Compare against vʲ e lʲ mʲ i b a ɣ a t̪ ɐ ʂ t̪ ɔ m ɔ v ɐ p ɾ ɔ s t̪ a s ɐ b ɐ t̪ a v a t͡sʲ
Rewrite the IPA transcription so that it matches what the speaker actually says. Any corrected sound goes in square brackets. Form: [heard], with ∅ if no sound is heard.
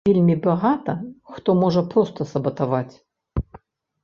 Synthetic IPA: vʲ e lʲ mʲ i b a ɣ a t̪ ɐ [x] t̪ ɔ m ɔ [ʐ] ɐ p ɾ ɔ s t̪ [ɐ] s ɐ b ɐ t̪ a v a t͡sʲ